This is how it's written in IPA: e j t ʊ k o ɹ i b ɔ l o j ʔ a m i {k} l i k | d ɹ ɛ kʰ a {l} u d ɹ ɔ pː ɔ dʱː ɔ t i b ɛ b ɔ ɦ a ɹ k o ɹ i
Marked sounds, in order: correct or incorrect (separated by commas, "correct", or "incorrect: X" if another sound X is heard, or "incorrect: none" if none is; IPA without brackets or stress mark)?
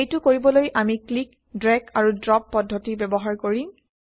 correct, incorrect: ɹ